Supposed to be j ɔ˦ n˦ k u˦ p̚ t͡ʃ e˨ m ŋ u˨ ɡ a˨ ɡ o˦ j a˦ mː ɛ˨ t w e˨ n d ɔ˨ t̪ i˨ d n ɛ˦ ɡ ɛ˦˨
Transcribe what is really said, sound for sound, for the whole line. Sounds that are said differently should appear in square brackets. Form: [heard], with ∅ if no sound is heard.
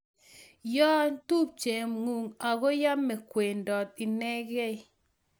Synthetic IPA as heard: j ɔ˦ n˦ [t] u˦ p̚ t͡ʃ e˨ m ŋ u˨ [ŋ] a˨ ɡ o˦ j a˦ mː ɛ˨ [k] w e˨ n d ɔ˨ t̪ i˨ [∅] n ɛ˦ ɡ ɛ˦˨